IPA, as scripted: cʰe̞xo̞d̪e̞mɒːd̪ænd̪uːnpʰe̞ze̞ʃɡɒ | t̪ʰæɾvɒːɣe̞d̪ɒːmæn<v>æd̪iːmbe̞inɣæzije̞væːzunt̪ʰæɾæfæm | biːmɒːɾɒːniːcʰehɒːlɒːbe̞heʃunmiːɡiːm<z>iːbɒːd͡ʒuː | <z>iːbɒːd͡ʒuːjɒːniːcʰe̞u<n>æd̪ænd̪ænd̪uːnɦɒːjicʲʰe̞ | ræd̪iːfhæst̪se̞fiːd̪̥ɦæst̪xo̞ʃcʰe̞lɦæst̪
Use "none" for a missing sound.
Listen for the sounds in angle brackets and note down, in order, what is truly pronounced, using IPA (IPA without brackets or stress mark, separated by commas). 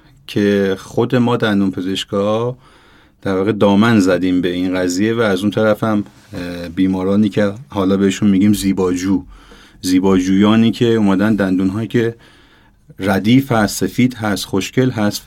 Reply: z, z, z, m